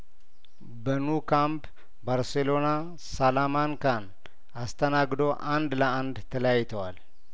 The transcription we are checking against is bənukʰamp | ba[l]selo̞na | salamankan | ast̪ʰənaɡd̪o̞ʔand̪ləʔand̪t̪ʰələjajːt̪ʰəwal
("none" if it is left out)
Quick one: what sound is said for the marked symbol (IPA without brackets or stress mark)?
ɾ